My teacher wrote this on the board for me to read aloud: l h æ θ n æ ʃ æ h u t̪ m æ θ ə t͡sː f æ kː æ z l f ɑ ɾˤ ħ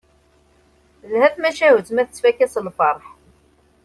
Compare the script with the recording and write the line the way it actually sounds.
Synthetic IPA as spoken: l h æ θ m æ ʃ æ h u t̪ m æ θ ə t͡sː f æ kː æ s l f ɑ ɾˤ ħ